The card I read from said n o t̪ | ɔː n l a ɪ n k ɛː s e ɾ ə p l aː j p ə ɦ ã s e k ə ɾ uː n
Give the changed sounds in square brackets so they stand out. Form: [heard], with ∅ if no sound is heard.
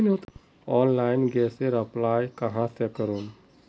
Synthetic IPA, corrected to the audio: n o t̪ | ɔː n l a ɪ n [ɡ] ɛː s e ɾ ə p l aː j [k] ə ɦ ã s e k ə ɾ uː n

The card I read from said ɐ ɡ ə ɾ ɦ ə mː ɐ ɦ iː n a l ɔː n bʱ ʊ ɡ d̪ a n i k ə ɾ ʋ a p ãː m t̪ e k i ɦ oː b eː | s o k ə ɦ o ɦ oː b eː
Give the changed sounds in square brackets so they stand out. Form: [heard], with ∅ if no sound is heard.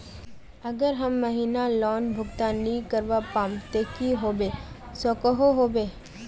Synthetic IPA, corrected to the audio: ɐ ɡ ə ɾ ɦ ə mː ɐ ɦ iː n a l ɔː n bʱ ʊ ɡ [t̪] a n i k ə ɾ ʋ a p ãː m t̪ e k i ɦ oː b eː | s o k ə ɦ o ɦ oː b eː

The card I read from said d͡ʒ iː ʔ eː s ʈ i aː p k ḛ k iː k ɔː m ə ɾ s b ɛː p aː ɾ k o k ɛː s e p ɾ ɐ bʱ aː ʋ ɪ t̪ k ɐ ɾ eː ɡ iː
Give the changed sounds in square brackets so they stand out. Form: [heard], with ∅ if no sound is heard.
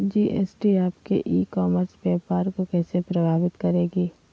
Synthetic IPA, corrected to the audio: d͡ʒ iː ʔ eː s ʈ i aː p k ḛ [ʔ] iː k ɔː m ə ɾ s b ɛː p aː ɾ k o k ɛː s e p ɾ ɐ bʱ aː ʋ ɪ t̪ k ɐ ɾ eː ɡ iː

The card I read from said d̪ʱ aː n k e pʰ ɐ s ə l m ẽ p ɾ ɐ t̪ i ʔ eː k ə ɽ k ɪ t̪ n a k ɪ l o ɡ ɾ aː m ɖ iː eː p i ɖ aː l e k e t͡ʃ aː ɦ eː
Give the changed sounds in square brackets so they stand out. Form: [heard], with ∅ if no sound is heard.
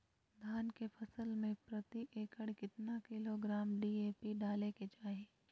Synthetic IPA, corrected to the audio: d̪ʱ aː n k e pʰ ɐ s ə l m ẽ p ɾ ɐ t̪ i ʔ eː k ə ɽ k ɪ t̪ n a k ɪ l o ɡ ɾ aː m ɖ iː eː p i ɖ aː l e k e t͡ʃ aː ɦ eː

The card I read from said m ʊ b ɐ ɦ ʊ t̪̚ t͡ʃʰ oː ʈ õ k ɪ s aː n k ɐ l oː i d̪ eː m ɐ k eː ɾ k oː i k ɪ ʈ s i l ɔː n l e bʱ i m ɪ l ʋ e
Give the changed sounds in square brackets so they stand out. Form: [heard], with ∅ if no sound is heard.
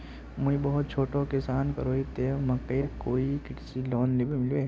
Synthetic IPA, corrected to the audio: m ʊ b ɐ ɦ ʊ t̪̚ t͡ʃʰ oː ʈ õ k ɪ s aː n k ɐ [ɾ] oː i [t̪] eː m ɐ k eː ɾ k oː i k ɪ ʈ s i l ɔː n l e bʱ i m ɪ l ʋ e

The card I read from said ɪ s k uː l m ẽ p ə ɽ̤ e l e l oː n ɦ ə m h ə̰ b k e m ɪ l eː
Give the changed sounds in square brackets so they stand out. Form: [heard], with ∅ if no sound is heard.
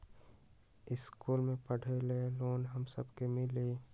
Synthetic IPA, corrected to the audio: ɪ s k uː l m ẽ p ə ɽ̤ e l e l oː n ɦ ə m [s] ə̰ b k e m ɪ l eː

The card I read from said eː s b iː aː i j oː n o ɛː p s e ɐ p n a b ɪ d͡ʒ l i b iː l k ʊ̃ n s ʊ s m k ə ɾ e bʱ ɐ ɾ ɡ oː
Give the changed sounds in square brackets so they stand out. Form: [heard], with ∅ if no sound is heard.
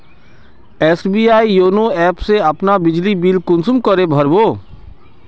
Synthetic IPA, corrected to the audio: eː s b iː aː i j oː n o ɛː p s e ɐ p n a b ɪ d͡ʒ l i b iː l k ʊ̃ n s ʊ [∅] m k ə ɾ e bʱ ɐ ɾ [b] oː

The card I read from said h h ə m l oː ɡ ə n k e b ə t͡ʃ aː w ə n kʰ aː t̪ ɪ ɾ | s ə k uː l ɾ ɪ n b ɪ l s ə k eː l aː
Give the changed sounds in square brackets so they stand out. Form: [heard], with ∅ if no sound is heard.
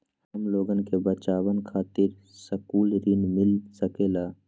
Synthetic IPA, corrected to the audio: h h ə m l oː ɡ ə n k e b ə t͡ʃ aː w ə n kʰ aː t̪ ɪ ɾ | s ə k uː l ɾ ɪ n [m] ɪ l s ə k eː l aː

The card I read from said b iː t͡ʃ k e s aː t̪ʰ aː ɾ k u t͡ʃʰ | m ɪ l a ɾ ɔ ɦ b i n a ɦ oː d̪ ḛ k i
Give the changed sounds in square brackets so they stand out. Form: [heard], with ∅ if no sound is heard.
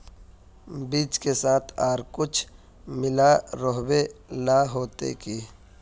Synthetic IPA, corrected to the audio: b iː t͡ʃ k e s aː t̪ʰ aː ɾ k [ʊ] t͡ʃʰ | m ɪ l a ɾ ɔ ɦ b [e] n a ɦ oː [t̪] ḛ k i

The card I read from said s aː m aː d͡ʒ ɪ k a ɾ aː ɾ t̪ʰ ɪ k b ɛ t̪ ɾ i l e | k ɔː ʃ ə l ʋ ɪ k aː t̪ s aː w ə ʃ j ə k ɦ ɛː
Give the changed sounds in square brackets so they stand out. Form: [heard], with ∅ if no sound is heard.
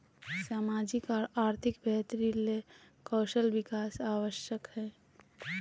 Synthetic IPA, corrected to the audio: s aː m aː d͡ʒ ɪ k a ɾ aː ɾ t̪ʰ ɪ k b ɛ t̪ ɾ i l e | k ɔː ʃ ə l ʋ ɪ k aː [∅] s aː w ə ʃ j ə k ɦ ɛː

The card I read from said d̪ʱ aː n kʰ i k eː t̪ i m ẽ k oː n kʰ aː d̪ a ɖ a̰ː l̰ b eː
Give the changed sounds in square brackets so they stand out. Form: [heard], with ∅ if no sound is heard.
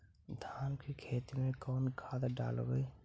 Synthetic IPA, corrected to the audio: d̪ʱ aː n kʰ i [kʰ] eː t̪ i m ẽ k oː n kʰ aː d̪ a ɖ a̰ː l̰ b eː

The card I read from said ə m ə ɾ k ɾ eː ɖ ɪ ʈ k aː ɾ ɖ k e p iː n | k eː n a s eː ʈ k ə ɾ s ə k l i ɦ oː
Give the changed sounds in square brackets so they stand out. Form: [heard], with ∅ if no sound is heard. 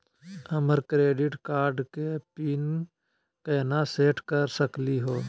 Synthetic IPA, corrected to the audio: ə m ə ɾ k ɾ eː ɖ ɪ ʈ k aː ɾ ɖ k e p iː n | k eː n a s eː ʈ k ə ɾ s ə k l i ɦ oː

